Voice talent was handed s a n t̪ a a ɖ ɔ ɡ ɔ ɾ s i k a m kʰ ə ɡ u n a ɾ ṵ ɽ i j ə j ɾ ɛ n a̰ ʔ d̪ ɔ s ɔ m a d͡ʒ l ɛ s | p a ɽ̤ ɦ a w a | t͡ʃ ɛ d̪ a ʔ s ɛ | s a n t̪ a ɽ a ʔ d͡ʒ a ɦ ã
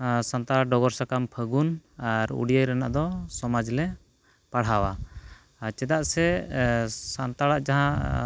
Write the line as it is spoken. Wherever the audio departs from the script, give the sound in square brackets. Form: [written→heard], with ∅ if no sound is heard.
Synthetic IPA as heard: s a n t̪ a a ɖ ɔ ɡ ɔ ɾ s [i→a] k a m [kʰ→pʰ] ə ɡ u n a ɾ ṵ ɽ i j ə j ɾ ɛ n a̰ ʔ d̪ ɔ s ɔ m a d͡ʒ l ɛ [s→∅] | p a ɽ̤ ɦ a w a | t͡ʃ ɛ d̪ a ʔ s ɛ | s a n t̪ a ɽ a ʔ d͡ʒ a ɦ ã